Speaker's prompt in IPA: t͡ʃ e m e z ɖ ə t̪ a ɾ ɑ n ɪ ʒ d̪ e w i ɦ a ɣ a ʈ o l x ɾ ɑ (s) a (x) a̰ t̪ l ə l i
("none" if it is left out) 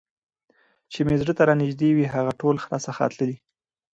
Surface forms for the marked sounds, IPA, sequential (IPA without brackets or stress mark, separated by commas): s, x